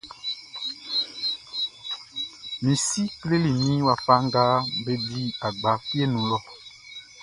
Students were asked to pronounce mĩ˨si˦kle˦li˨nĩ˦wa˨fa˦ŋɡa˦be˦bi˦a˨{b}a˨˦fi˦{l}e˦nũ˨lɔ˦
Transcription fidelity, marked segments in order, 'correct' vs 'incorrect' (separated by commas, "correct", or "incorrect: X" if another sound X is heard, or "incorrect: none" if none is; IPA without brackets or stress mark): incorrect: ɡ͡b, incorrect: none